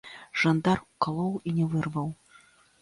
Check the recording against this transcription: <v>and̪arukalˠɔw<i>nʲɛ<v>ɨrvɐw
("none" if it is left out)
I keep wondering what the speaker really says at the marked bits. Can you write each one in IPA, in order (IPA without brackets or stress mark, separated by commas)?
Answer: ʐ, i, v